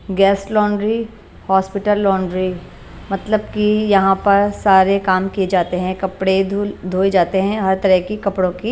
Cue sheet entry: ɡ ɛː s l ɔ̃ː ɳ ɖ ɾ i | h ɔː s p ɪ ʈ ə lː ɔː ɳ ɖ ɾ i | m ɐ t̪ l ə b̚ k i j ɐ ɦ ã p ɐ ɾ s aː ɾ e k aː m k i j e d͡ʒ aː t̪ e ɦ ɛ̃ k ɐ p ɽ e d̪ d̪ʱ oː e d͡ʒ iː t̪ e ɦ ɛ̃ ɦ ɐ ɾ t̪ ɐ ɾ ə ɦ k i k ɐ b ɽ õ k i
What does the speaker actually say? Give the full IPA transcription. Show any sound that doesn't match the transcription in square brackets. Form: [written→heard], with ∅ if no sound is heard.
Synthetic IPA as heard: ɡ ɛː s l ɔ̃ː ɳ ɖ ɾ i | h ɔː s p ɪ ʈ ə lː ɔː ɳ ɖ ɾ i | m ɐ t̪ l ə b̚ k i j ɐ ɦ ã p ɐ ɾ s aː ɾ e k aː m k i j e d͡ʒ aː t̪ e ɦ ɛ̃ k ɐ p ɽ e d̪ d̪ʱ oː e d͡ʒ [iː→aː] t̪ e ɦ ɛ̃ ɦ ɐ ɾ t̪ ɐ ɾ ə ɦ k i k ɐ [b→p] ɽ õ k i